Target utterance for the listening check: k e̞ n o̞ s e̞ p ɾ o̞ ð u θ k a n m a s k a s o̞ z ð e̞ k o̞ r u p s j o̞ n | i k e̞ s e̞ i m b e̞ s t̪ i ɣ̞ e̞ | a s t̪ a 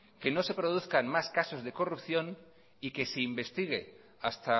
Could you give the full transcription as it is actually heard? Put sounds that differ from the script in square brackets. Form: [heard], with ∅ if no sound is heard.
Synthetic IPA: k e̞ n o̞ s e̞ p ɾ o̞ ð u θ k a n m a s k a s o̞ z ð e̞ k o̞ r u p [θ] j o̞ n | i k e̞ s e̞ i m b e̞ s t̪ i ɣ̞ e̞ | a s t̪ a